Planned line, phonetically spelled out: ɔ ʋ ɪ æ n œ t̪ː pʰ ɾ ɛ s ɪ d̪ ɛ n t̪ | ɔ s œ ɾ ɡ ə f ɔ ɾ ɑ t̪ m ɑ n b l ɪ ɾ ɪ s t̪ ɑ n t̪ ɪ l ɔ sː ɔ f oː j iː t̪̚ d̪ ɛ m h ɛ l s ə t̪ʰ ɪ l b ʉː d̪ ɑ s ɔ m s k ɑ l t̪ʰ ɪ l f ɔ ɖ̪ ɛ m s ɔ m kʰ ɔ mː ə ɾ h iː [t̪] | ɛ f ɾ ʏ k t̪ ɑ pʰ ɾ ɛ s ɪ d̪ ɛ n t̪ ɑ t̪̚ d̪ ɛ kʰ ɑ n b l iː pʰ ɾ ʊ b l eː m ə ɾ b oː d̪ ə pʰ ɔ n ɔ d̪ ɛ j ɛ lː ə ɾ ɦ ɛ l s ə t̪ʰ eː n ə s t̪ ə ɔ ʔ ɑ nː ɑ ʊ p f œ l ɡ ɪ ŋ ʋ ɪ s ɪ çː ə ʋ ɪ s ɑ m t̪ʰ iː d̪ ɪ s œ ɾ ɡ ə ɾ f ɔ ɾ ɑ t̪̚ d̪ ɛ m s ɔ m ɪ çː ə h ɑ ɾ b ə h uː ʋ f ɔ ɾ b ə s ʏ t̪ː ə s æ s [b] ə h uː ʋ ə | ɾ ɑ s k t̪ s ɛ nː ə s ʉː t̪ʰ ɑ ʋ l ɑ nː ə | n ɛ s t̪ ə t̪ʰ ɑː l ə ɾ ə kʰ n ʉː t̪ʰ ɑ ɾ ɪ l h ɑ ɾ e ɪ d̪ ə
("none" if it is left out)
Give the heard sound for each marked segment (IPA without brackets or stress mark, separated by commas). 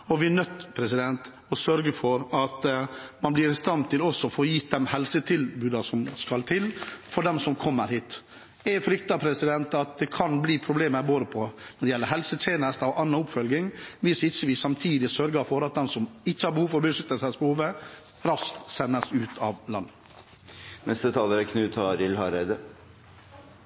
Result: t̪, b